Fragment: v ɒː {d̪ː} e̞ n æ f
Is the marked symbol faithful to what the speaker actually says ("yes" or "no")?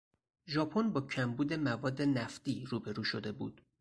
yes